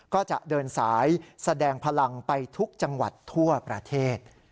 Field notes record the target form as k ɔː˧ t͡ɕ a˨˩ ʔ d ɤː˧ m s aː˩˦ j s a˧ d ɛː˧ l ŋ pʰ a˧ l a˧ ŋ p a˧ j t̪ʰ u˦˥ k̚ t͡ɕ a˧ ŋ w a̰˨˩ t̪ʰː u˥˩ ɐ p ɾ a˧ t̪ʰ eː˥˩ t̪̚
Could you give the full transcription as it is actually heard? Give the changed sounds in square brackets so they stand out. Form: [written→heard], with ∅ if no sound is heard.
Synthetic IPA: k [ɔː˧→ɔː˥˩] t͡ɕ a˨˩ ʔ d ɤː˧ [m→n] s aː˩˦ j s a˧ d ɛː˧ [l→∅] ŋ pʰ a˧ l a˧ ŋ p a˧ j t̪ʰ u˦˥ k̚ t͡ɕ a˧ ŋ w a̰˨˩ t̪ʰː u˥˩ ɐ p ɾ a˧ t̪ʰ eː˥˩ t̪̚